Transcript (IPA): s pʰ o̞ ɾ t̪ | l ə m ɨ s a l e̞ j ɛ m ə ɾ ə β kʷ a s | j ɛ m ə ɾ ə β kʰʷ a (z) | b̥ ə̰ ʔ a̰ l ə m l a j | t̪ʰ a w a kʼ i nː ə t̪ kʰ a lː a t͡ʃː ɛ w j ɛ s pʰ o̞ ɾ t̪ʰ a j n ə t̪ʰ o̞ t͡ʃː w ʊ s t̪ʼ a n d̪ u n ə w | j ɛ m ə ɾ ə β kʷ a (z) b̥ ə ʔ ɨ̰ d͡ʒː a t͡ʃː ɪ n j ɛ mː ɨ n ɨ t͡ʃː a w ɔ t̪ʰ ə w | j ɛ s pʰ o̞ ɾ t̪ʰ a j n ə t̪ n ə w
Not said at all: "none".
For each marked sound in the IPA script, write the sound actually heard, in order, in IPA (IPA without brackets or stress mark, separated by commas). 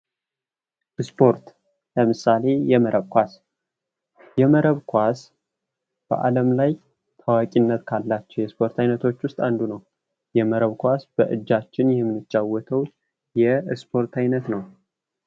s, s